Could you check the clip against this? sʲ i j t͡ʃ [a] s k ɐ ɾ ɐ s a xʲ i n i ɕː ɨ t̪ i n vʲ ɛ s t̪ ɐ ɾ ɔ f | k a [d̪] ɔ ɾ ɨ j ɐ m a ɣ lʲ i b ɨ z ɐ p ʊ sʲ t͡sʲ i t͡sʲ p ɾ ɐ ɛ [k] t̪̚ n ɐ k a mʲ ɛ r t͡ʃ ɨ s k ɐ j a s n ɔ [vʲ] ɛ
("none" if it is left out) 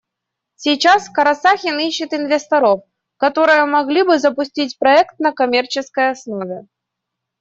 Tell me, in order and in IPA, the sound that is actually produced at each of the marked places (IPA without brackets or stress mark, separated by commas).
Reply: a, t̪, k, vʲ